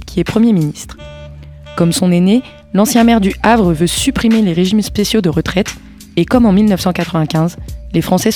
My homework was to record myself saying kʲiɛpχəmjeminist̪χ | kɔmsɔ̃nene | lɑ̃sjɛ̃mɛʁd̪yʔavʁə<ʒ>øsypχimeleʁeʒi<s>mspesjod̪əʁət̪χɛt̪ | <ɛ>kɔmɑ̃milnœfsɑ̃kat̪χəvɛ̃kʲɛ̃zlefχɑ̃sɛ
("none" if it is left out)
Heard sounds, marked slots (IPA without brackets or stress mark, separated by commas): v, none, e